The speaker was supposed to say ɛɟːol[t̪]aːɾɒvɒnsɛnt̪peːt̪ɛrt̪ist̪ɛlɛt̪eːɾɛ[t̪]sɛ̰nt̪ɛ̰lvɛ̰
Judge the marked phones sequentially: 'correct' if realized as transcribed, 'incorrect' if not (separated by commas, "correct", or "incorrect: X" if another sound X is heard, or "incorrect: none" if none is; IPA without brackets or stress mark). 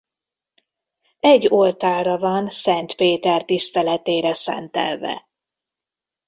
correct, incorrect: none